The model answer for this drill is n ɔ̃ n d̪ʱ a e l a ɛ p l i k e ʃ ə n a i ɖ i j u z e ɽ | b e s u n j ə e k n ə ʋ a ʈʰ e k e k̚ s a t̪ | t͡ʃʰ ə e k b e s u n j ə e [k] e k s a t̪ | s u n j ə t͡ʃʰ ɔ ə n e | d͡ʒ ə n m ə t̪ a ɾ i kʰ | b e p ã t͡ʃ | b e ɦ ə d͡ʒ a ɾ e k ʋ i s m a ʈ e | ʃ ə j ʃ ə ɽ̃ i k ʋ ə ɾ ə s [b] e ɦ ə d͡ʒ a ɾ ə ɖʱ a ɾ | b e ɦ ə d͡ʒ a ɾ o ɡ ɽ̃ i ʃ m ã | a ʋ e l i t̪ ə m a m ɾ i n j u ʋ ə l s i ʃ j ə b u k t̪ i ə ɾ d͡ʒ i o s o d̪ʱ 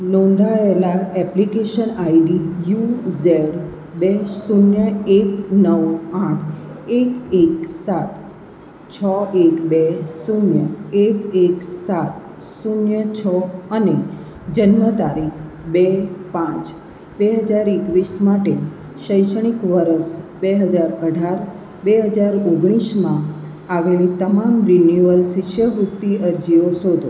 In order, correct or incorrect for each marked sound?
correct, correct

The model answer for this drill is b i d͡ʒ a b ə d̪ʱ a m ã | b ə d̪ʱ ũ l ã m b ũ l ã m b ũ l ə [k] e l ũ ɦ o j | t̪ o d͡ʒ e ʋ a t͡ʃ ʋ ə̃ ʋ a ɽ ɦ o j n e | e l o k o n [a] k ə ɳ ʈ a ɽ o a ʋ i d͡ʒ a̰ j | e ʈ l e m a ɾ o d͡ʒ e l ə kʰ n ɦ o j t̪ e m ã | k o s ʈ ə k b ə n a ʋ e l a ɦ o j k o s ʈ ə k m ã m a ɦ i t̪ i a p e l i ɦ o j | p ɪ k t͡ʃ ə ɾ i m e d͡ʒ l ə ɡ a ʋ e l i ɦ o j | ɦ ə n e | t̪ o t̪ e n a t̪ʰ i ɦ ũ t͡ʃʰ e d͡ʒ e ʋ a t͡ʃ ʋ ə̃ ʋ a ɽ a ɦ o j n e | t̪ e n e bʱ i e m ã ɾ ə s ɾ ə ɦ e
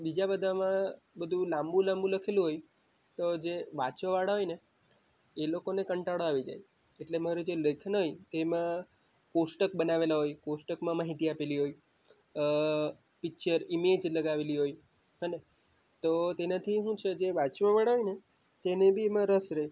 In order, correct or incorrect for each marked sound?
incorrect, incorrect

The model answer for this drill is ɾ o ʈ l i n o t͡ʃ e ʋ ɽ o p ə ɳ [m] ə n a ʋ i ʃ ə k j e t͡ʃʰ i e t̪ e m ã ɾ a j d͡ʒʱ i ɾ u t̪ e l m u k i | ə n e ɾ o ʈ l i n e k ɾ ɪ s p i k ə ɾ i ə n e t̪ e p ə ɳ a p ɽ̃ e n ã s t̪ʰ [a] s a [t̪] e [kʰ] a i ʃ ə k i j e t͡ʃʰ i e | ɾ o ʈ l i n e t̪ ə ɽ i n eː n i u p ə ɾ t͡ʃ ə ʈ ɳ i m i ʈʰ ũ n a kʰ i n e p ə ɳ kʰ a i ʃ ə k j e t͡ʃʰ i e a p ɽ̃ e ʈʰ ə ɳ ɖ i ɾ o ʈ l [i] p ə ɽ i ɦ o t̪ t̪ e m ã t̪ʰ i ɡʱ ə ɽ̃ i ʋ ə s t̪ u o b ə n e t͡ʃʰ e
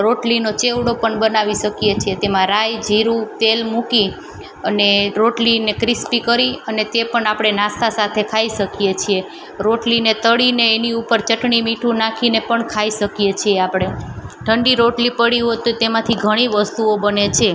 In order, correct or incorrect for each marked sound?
incorrect, correct, incorrect, correct, correct

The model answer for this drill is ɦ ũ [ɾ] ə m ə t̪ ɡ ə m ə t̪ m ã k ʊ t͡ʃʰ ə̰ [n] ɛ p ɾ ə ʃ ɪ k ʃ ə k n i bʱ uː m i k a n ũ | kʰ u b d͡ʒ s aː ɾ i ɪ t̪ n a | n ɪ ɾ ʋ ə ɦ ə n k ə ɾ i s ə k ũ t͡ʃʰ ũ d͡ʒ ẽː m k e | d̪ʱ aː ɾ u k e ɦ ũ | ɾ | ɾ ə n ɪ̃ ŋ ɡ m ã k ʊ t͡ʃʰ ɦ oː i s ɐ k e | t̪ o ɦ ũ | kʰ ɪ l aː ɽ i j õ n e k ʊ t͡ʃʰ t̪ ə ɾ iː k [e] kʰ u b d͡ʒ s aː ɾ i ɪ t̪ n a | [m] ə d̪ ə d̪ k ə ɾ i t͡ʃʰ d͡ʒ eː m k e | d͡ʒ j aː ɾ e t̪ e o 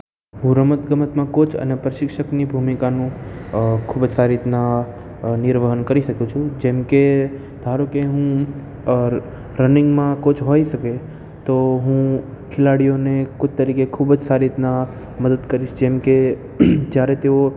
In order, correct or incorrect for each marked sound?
correct, correct, correct, correct

